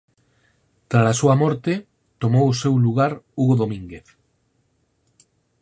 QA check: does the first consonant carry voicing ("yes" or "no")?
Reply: no